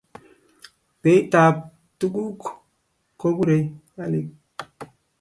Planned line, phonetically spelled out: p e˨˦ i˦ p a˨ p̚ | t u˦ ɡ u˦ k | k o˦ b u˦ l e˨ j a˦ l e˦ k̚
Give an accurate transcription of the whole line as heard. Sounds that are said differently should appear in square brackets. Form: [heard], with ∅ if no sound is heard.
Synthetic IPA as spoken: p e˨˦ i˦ [t] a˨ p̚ | t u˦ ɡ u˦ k | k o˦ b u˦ [ɾ] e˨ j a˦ l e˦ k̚